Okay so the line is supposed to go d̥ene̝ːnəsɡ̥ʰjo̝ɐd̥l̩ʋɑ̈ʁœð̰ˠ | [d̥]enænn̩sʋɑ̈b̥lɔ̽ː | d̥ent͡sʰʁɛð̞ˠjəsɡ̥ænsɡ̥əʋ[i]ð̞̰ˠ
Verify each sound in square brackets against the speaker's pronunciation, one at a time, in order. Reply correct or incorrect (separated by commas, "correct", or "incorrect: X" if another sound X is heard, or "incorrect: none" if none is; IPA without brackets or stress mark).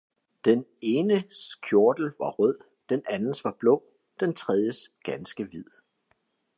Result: correct, correct